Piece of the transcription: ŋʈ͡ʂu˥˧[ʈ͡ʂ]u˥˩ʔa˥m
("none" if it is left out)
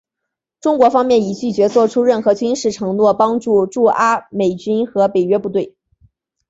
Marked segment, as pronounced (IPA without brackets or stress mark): ʈ͡ʂ